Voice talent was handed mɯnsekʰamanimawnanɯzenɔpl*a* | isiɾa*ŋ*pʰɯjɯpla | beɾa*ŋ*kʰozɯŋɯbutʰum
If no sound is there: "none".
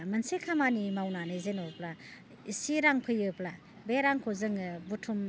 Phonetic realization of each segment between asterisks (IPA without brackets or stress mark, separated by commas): a, ŋ, ŋ